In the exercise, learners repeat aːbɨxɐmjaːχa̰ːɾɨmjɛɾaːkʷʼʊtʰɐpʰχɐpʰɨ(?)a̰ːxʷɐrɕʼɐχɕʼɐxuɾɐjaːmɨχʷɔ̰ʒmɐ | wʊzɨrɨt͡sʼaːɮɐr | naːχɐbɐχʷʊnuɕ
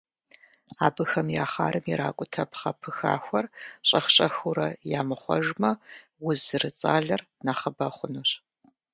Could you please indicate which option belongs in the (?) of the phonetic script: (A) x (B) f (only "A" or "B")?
A